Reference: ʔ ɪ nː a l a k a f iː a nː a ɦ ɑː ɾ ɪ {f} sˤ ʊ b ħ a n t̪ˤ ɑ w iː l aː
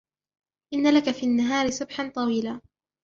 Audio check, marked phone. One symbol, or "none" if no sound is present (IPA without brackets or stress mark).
none